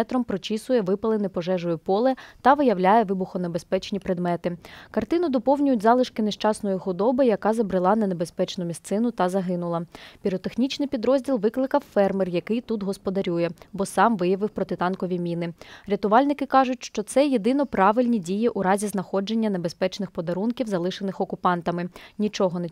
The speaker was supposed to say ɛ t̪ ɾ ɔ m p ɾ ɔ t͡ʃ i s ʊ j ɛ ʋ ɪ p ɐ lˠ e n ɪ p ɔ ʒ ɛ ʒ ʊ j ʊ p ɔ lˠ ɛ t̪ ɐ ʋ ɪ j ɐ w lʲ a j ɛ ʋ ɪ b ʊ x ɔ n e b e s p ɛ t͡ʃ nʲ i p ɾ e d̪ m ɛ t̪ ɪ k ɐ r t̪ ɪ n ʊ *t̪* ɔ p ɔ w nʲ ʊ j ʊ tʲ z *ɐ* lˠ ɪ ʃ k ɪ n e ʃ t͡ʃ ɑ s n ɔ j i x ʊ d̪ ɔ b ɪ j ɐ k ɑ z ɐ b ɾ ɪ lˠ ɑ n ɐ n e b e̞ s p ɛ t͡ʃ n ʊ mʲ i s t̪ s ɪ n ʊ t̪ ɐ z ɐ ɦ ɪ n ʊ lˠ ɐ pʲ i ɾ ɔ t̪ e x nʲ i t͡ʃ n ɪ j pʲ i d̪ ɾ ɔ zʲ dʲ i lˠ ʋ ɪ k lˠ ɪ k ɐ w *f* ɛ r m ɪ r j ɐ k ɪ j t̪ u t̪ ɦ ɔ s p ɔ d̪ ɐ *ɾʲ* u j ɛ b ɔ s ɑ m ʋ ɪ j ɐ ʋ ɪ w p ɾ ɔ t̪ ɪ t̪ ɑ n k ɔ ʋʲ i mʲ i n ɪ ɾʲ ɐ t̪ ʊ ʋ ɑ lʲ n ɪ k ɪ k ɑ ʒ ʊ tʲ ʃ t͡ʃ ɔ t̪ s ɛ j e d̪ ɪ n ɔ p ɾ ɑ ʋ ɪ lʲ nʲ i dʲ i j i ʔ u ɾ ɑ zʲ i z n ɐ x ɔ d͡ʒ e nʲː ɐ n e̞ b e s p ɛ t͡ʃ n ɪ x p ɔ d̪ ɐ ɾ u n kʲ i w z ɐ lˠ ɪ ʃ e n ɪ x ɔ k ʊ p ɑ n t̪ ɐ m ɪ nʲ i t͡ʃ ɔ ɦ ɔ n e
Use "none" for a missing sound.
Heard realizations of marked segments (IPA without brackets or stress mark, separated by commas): d̪, ɑ, f, ɾʲ